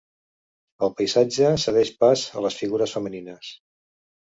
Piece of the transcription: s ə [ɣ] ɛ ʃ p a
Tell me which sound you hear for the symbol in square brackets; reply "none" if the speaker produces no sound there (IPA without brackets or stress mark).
ð